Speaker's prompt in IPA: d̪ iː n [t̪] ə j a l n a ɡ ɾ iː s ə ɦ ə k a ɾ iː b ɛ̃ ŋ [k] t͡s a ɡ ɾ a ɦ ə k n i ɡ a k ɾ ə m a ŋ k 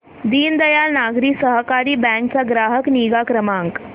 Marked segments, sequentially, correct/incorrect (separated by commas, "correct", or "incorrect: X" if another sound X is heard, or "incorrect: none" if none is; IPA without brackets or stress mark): incorrect: d̪, correct